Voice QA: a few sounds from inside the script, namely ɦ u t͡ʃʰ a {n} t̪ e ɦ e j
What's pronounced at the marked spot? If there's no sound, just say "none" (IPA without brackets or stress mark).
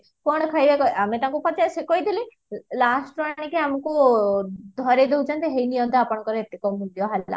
n